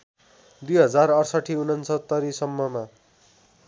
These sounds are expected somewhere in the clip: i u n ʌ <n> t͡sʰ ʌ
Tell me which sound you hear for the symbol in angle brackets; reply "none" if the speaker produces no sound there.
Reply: n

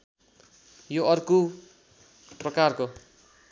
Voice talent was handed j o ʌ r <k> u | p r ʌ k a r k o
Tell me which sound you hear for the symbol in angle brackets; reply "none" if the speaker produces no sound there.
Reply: k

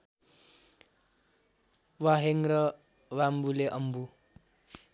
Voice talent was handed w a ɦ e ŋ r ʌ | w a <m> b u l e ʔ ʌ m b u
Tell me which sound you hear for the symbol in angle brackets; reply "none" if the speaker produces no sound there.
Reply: m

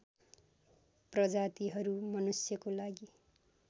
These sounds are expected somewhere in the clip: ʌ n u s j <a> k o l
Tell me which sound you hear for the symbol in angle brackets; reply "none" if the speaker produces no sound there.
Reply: ʌ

